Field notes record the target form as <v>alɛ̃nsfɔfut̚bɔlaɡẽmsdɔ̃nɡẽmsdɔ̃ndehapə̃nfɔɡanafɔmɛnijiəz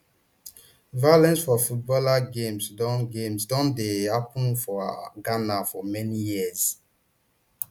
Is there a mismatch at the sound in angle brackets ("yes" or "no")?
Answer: no